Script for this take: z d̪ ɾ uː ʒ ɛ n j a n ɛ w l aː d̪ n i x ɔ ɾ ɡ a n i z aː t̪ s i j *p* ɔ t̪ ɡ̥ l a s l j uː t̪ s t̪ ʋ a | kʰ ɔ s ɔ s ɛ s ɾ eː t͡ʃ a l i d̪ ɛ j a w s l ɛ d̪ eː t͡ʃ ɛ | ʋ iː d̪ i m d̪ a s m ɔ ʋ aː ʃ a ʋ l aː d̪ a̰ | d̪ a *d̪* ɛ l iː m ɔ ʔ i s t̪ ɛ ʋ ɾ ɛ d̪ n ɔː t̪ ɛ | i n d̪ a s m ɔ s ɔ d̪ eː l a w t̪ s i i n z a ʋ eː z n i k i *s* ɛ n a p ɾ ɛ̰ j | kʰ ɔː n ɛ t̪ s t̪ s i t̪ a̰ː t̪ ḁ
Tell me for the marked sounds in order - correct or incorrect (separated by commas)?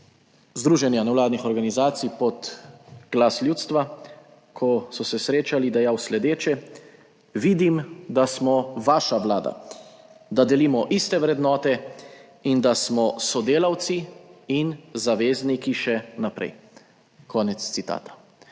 correct, correct, incorrect